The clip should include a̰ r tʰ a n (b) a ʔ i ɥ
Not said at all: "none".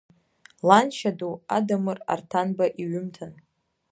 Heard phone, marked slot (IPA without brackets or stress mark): b